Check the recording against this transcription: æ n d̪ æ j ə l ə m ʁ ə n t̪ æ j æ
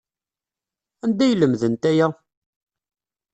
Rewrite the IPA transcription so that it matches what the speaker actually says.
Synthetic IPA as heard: æ n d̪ æ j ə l ə m ð ə n t̪ æ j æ